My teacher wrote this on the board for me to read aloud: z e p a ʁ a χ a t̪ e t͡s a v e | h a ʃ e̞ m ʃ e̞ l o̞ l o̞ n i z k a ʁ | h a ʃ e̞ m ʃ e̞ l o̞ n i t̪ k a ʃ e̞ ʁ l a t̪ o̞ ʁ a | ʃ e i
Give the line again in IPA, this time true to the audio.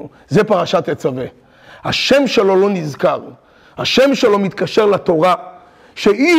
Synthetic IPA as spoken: z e p a ʁ a ʃ a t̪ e t͡s a v e | h a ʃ e̞ m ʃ e̞ l o̞ l o̞ n i z k a ʁ | h a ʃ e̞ m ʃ e̞ l o̞ m i t̪ k a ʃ e̞ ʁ l a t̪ o̞ ʁ a | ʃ e i